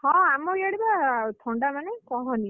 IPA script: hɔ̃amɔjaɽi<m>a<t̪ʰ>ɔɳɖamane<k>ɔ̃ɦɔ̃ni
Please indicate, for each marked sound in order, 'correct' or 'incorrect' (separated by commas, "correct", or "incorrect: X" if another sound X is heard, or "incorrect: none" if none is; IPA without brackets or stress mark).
incorrect: b, correct, correct